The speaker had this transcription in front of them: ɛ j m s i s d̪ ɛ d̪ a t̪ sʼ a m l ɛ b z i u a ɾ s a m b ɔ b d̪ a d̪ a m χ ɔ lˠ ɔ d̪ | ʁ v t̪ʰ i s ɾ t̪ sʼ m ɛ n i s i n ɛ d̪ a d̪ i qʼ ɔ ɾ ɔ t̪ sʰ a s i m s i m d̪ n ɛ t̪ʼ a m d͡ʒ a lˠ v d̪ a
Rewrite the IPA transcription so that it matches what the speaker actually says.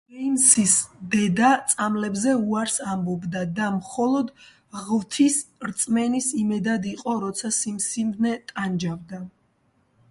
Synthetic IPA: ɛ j m s i s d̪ ɛ d̪ a t̪ sʼ a m l ɛ b z ɛ u a ɾ s a m b ɔ b d̪ a d̪ a m χ ɔ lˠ ɔ d̪ | ʁ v t̪ʰ i s ɾ t̪ sʼ m ɛ n i s i m ɛ d̪ a d̪ i qʼ ɔ ɾ ɔ t̪ sʰ a s i m s i m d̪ n ɛ t̪ʼ a n d͡ʒ a v d̪ a